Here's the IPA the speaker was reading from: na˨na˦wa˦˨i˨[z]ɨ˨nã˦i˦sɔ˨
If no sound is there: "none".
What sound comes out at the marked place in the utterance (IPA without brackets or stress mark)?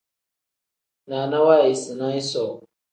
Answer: s